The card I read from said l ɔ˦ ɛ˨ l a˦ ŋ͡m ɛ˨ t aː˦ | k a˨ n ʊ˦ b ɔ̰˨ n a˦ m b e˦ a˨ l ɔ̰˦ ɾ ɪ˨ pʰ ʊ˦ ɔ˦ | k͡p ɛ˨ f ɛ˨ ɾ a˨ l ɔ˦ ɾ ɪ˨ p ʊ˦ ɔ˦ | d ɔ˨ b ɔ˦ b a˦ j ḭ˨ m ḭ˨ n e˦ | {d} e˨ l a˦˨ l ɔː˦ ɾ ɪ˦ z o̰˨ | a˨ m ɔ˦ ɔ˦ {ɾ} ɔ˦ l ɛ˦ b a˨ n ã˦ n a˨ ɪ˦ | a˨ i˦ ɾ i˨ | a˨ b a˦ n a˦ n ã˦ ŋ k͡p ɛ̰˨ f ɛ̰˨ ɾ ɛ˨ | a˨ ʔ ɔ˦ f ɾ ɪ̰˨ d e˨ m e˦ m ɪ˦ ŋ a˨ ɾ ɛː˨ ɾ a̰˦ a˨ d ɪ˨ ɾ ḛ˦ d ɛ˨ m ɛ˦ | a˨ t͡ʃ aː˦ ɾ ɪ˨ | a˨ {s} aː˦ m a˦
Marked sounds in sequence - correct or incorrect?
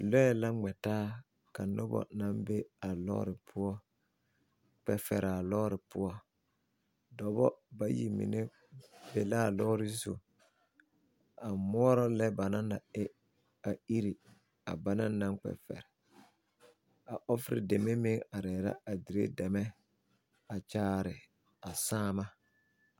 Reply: incorrect: b, correct, correct

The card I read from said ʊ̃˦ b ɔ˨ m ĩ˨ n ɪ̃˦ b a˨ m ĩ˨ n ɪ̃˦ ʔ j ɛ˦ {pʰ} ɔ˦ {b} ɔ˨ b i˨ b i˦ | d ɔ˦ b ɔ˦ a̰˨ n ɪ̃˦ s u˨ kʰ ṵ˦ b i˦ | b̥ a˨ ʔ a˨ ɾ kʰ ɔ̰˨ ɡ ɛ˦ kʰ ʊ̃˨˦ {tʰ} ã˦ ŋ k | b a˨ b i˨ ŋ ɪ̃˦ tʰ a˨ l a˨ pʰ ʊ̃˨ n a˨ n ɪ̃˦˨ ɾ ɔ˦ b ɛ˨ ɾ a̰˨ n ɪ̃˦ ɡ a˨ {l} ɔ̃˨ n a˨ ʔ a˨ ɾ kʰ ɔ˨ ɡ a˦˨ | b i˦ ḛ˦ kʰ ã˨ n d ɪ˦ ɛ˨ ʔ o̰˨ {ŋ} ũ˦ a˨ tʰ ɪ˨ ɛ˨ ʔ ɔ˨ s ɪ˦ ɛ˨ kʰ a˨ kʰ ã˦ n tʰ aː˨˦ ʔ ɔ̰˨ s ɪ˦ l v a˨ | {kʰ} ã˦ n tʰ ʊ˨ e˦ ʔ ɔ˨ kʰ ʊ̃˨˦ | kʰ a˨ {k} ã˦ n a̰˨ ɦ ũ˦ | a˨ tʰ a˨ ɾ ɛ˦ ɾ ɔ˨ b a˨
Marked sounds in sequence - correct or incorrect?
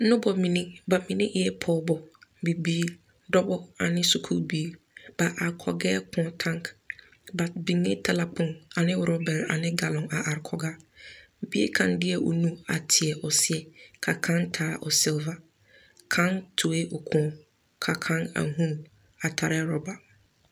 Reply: correct, correct, correct, correct, incorrect: n, correct, incorrect: kʰ

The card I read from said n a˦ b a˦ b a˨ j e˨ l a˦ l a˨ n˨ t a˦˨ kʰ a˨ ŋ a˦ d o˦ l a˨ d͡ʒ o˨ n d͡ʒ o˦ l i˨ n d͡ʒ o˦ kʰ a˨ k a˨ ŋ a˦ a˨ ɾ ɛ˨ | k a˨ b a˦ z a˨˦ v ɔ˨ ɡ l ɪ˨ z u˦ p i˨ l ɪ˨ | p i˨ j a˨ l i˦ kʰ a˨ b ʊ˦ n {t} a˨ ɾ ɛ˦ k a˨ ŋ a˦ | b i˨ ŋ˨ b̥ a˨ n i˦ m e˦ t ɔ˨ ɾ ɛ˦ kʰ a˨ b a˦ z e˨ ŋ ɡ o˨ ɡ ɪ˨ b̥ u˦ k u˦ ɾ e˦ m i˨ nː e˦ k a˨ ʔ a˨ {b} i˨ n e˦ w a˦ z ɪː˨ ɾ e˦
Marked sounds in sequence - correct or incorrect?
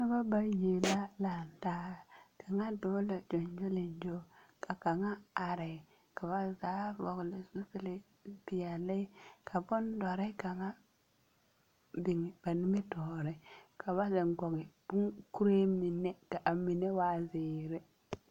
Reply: incorrect: d, incorrect: m

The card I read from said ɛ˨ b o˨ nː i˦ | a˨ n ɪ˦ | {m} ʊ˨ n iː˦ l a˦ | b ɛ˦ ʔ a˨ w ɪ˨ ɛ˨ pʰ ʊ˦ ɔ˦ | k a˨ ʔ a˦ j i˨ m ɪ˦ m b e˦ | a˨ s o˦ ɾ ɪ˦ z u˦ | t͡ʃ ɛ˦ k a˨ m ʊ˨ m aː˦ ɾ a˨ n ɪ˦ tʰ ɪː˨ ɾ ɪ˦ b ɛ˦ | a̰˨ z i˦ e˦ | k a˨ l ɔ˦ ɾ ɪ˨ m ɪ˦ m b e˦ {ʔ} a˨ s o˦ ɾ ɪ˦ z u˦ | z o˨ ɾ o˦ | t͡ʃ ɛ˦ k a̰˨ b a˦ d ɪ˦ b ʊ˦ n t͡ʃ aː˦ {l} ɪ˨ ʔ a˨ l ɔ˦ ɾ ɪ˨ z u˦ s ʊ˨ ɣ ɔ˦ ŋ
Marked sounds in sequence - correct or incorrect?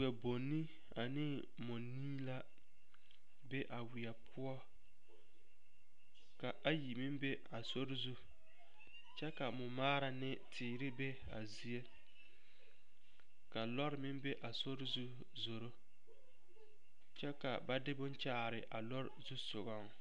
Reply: correct, correct, incorrect: ɾ

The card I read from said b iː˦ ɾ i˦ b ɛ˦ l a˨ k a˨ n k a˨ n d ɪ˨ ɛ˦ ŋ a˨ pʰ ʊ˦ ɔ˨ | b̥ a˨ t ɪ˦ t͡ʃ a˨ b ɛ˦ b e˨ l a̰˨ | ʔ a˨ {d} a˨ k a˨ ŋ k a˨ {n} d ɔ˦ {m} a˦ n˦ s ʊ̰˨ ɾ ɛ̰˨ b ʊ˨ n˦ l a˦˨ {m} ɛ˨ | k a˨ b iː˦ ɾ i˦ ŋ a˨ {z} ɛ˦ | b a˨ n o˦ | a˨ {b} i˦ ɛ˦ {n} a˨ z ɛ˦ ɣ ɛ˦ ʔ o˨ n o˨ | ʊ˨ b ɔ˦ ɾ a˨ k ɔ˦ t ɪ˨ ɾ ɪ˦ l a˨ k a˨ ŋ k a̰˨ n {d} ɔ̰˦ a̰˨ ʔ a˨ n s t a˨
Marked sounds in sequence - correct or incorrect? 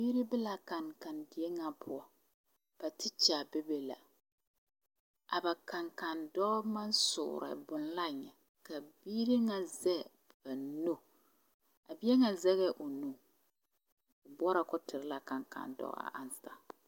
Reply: incorrect: b, correct, correct, incorrect: ɲ, correct, correct, incorrect: ŋ, correct

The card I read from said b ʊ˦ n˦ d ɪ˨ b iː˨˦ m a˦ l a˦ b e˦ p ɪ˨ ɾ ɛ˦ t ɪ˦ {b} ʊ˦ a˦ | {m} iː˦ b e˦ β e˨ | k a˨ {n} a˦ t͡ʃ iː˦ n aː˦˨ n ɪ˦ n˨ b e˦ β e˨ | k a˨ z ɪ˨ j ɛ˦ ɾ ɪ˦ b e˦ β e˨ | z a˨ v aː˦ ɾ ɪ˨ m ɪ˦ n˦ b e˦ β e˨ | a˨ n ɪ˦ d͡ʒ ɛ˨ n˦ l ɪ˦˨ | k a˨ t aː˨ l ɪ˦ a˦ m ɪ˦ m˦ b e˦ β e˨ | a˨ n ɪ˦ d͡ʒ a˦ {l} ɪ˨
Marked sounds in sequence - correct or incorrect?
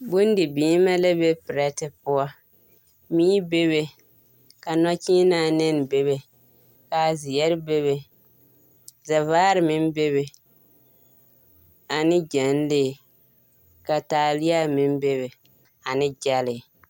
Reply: incorrect: p, correct, correct, correct

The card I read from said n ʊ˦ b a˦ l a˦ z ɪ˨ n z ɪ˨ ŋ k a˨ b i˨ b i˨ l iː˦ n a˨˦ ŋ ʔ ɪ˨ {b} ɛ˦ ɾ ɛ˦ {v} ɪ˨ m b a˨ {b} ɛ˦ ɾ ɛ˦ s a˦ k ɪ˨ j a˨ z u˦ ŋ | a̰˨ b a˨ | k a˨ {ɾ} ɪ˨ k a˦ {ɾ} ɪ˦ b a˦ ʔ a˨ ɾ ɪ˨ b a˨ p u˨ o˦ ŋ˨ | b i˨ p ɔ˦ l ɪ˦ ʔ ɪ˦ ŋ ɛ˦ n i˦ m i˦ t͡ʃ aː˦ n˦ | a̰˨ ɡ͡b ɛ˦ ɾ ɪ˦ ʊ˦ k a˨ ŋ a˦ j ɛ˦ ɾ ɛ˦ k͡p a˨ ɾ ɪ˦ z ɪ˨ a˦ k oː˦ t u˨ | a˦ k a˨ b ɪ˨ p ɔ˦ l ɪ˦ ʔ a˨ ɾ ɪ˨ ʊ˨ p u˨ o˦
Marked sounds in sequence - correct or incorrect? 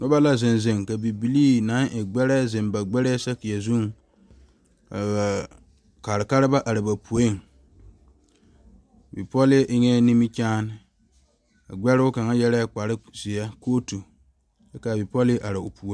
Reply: incorrect: ɡ͡b, incorrect: z, incorrect: ɡ͡b, correct, correct

